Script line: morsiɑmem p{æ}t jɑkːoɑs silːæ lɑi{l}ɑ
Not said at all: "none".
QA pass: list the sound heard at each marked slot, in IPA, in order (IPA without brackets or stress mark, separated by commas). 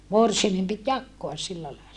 i, l